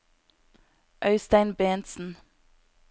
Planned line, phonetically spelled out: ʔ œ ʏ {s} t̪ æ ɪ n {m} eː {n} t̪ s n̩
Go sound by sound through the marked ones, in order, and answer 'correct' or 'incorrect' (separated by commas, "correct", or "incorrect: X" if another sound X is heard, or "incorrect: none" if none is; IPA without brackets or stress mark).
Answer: correct, incorrect: b, correct